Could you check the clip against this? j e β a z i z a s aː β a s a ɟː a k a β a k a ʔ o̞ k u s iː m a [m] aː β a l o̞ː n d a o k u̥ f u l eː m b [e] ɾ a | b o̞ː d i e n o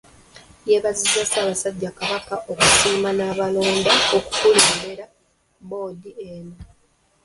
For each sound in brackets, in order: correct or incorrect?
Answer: incorrect, correct

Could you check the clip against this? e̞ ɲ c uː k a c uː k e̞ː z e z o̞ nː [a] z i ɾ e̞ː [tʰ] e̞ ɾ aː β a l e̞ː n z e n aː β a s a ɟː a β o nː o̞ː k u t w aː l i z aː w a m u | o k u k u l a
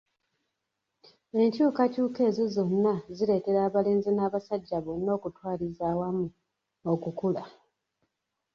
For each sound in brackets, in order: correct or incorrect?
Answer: correct, incorrect

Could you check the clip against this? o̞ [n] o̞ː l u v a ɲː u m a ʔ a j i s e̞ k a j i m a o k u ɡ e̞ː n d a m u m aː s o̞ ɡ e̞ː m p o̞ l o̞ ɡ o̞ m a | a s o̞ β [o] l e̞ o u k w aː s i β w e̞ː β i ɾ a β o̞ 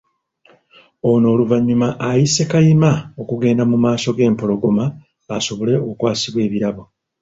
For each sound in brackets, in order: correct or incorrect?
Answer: correct, correct

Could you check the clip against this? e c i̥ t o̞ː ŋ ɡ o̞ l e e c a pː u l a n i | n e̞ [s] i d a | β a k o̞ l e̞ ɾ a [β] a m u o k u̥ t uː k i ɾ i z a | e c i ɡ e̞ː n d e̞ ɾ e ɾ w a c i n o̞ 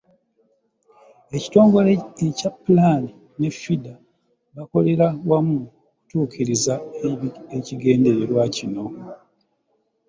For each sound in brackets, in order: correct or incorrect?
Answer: incorrect, incorrect

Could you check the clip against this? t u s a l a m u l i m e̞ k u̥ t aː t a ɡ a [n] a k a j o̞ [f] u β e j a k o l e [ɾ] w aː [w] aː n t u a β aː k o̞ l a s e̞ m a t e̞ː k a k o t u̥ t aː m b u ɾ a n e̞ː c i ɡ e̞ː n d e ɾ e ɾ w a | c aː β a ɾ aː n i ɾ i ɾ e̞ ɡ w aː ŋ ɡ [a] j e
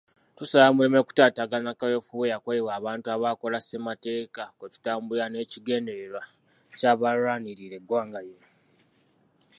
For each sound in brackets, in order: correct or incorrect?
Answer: correct, correct, incorrect, incorrect, correct

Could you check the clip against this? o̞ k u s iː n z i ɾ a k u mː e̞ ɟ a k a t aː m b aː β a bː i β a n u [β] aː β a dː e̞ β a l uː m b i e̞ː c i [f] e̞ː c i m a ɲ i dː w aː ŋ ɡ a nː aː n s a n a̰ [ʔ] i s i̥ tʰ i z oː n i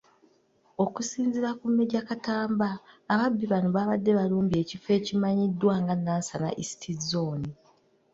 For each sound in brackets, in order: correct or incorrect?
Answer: correct, correct, correct

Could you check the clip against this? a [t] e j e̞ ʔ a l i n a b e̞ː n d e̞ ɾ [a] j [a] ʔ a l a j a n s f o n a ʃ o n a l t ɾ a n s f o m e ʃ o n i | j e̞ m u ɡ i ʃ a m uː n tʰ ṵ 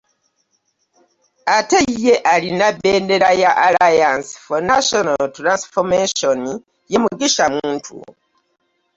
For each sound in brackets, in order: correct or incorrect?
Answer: correct, correct, correct

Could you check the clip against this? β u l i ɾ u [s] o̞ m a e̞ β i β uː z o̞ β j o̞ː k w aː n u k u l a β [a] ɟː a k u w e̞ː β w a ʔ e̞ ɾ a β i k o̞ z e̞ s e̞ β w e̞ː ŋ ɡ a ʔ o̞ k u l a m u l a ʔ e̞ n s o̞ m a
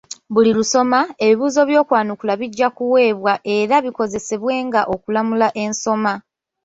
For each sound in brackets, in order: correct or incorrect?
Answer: correct, incorrect

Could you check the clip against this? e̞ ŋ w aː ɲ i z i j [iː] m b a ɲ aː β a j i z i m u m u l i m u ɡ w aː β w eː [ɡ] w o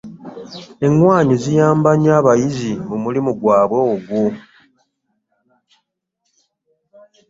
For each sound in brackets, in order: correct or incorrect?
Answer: incorrect, correct

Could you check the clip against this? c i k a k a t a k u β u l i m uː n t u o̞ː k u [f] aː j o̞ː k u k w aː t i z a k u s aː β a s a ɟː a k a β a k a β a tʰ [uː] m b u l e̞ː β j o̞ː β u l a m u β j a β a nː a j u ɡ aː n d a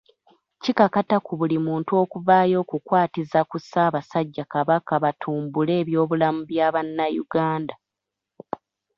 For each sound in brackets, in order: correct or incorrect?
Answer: incorrect, correct

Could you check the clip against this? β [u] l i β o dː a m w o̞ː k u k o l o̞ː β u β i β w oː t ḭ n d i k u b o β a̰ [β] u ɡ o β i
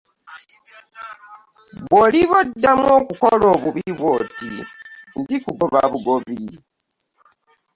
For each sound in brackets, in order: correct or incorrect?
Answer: incorrect, correct

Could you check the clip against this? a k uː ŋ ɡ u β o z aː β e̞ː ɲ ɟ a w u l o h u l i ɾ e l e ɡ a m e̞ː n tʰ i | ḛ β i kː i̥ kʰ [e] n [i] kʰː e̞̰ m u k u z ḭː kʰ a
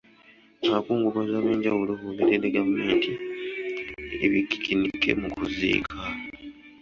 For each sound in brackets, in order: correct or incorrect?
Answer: incorrect, correct

